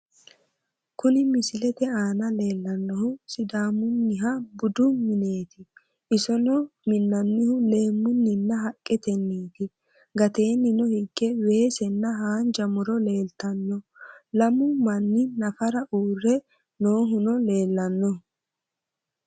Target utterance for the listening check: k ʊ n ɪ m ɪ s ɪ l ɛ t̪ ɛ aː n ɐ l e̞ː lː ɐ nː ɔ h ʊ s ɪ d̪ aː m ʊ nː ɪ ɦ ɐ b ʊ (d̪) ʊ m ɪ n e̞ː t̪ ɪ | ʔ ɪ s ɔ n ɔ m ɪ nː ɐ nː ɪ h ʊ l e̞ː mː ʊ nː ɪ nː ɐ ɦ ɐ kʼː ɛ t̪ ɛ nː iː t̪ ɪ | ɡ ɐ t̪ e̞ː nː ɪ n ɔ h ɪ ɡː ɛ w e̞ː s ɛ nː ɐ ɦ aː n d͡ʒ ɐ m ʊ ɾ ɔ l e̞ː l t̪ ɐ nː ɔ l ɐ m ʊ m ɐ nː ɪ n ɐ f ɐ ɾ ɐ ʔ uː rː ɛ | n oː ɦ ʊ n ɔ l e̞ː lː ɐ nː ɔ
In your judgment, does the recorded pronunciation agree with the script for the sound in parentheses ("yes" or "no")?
yes